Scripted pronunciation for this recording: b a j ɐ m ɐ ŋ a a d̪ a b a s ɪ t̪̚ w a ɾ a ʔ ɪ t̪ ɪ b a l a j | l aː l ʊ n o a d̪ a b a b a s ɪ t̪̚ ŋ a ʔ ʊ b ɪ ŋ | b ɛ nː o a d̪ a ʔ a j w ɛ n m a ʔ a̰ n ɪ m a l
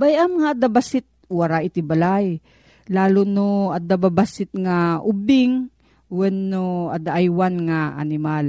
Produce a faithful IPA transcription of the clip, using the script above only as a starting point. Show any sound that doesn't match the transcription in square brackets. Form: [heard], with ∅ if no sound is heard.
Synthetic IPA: b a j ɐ m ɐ ŋ a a d̪ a b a s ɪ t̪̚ w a ɾ a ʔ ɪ t̪ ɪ b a l a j | l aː l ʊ n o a d̪ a b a b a s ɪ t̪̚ ŋ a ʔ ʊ b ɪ ŋ | [w] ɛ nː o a d̪ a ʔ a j w [a] n [ŋ] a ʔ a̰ n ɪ m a l